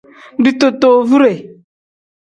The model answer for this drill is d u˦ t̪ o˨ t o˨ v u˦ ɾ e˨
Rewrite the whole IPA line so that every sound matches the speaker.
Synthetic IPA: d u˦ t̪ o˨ t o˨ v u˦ ɾ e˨